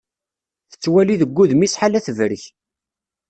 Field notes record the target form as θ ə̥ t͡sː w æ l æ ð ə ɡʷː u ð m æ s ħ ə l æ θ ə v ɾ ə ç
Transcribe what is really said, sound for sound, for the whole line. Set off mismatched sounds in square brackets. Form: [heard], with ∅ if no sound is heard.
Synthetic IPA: θ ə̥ t͡sː w æ l [i] ð ə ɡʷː u ð m [i] s ħ [a] l æ θ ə v ɾ ə ç